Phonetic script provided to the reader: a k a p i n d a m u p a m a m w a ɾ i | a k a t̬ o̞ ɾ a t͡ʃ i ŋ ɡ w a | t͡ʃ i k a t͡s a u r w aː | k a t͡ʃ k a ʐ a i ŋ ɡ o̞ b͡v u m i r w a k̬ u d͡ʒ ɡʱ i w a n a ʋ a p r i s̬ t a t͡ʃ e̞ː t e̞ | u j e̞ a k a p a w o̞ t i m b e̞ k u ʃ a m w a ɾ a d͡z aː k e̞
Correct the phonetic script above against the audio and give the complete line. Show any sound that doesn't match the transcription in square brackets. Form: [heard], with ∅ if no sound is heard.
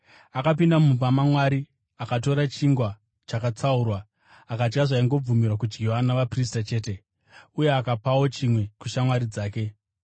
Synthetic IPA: a k a p i n d a m u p a m a m w a ɾ i | a k a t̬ o̞ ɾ a t͡ʃ i ŋ ɡ w a | t͡ʃ [a] k a t͡s a u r w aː | k a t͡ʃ k a ʐ a i ŋ ɡ o̞ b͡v u m i r w a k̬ u d͡ʒ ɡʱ i w a n a ʋ a p r i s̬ t a t͡ʃ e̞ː t e̞ | u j e̞ a k a p a w o̞ [t͡ʃ] i m [w] e̞ k u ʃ a m w a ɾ [i] d͡z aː k e̞